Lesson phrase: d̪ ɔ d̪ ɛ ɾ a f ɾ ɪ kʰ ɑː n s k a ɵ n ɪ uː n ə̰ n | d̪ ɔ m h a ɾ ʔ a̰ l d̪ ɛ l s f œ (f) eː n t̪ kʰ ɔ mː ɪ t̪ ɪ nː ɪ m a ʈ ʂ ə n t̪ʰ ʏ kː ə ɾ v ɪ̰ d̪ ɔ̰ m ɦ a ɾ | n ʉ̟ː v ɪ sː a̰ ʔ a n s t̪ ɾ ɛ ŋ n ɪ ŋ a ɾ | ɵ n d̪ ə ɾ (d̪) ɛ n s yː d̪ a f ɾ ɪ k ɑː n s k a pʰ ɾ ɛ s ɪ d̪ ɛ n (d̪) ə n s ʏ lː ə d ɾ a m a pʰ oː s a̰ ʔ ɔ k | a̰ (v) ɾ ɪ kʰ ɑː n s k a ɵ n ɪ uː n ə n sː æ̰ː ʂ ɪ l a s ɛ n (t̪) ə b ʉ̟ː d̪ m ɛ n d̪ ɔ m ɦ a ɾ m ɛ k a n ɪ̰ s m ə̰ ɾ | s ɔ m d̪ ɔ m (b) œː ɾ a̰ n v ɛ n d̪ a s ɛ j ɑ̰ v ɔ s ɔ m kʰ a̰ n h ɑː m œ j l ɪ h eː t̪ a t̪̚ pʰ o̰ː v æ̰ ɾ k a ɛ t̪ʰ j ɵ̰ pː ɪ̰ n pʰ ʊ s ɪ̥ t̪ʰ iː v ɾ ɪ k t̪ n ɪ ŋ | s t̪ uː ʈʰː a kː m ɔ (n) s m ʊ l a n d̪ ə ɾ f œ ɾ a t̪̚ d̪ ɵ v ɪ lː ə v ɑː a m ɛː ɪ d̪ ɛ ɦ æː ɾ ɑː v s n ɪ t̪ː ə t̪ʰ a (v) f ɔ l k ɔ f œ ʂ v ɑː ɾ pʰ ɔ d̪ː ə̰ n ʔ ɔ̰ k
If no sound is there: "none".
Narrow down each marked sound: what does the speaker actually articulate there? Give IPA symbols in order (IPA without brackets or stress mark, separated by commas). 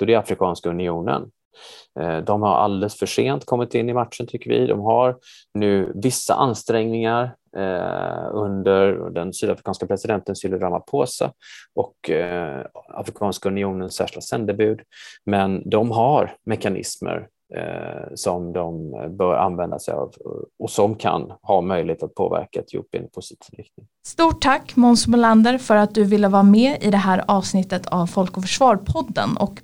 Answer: ʂ, d̪, t̪, f, d̪, b, n, v